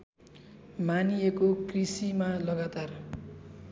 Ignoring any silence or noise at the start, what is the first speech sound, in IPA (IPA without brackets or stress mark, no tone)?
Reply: m